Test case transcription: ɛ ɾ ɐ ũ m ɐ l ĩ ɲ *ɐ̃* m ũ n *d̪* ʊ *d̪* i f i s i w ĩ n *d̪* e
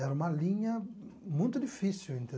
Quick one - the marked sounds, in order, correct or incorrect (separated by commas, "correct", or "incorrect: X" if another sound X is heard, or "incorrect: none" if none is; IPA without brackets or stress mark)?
incorrect: ɐ, incorrect: t̪, correct, incorrect: t̪